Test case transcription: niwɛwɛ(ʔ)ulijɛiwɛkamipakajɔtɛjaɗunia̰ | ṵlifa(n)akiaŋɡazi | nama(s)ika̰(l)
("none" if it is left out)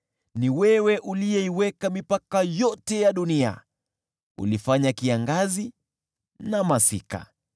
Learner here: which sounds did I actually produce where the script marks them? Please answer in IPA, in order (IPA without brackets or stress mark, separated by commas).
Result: ʔ, ɲ, s, none